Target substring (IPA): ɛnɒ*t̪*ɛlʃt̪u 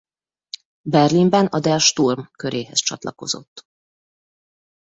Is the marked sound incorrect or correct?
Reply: incorrect